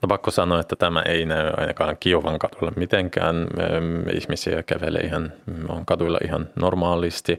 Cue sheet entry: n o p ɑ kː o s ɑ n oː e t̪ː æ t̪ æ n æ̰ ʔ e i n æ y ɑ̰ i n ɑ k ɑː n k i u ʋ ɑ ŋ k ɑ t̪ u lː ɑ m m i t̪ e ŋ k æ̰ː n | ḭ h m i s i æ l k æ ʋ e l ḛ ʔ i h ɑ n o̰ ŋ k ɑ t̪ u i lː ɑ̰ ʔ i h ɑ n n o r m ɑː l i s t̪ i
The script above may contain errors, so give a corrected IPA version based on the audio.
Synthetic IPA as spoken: n o p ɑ kː o s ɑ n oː e t̪ː æ t̪ æ m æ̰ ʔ e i n æ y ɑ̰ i n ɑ k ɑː ŋ k i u ʋ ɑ ŋ k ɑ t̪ u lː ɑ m m i t̪ e ŋ k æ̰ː n | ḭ h m i s i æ k æ ʋ e l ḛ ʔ i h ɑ n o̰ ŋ k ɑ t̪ u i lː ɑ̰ ʔ i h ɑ n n o r m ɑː l i s t̪ i